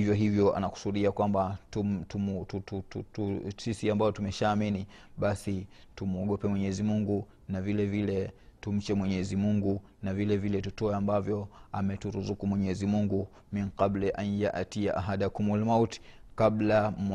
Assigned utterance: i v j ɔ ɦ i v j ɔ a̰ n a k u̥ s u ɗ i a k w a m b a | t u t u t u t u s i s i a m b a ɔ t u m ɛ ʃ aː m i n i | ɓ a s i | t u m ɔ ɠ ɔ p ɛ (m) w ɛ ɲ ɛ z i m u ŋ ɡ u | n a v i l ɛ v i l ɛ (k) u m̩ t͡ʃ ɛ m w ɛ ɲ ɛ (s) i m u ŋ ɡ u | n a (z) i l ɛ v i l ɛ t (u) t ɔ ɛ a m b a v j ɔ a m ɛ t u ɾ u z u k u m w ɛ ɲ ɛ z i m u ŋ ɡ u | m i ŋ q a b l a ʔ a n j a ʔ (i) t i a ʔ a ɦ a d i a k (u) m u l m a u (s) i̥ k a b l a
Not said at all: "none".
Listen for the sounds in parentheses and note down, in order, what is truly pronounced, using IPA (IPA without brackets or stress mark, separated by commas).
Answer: m, t, z, v, u, a, u, t